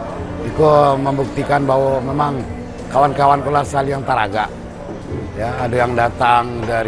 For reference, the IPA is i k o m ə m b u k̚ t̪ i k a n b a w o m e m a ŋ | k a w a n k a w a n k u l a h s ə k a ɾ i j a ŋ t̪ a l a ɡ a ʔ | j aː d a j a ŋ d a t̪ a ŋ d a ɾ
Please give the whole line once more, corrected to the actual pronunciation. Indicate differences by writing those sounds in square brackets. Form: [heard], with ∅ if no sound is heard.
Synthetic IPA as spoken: i k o m ə m b u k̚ t̪ i k a n b a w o m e m a ŋ | k a w a n k a w a n k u l a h s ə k a [l] i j a ŋ t̪ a [ɾ] a ɡ a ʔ | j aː d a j a ŋ d a t̪ a ŋ d a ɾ